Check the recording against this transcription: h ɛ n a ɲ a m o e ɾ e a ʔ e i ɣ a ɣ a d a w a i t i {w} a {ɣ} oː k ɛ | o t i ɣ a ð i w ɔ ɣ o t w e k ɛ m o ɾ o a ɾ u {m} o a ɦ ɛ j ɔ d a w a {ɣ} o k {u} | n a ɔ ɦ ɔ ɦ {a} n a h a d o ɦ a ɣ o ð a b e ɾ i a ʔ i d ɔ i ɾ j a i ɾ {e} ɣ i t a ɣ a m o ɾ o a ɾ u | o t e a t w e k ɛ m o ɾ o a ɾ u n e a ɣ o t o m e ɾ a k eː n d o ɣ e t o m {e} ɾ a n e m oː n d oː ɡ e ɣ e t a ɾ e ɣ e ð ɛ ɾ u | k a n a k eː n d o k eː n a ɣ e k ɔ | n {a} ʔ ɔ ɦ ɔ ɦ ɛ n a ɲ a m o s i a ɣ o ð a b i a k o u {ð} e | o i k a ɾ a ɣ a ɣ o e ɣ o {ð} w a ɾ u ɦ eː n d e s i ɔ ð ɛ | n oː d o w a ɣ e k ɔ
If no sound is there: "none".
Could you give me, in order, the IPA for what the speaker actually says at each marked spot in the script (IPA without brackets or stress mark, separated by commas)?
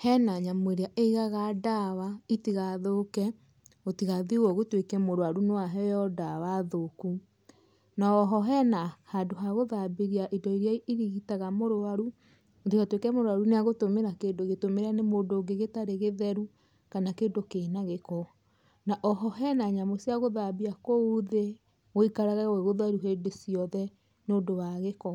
ɣ, ð, n, ð, u, ɛ, i, e, a, ð, ð